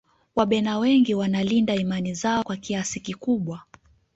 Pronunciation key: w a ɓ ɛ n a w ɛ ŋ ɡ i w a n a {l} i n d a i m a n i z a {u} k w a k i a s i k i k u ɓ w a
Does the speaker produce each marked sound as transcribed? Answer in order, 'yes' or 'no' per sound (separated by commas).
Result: yes, no